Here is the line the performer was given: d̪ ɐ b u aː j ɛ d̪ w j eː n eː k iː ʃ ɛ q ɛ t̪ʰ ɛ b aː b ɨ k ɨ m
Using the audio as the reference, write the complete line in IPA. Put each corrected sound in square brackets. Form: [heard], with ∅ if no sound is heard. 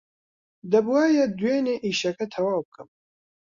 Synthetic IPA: d̪ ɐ b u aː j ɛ d̪ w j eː n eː [ʔ] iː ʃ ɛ [k] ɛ t̪ʰ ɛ [w] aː b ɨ k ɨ m